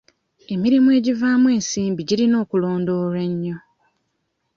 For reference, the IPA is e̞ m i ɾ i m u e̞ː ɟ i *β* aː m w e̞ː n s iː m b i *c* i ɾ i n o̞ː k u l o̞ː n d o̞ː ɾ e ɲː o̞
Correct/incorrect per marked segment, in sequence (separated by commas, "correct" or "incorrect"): incorrect, incorrect